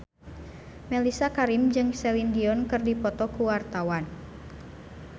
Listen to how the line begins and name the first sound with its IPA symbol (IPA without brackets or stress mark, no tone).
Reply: m